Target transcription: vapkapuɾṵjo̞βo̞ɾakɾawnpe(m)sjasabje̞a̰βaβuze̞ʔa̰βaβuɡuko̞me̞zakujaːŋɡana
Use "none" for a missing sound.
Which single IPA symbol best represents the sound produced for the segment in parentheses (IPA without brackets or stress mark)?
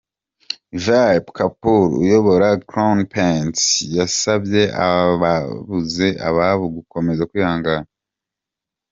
n